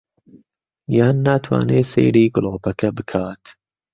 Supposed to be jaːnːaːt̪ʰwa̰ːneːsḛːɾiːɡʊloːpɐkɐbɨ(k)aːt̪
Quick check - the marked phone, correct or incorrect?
incorrect